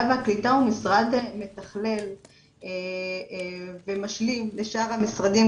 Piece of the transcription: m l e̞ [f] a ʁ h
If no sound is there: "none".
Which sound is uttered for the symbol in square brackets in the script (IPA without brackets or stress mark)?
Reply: ʃ